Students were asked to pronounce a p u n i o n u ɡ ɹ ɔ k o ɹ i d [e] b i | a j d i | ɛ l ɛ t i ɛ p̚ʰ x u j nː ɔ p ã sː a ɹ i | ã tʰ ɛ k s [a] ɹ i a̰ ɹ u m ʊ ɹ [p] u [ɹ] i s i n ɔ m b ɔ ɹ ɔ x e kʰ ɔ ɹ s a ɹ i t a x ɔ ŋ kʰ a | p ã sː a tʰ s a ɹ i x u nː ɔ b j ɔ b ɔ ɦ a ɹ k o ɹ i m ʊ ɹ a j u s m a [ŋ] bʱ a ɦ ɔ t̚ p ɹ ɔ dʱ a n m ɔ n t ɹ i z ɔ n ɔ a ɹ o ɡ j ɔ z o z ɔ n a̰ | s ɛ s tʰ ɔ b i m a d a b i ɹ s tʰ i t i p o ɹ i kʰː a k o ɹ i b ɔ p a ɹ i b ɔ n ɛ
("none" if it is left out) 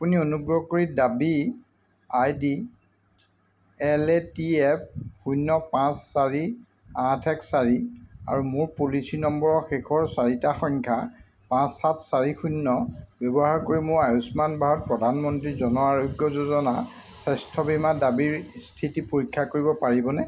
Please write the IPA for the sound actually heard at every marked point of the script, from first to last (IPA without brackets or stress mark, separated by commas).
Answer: a, a, p, l, n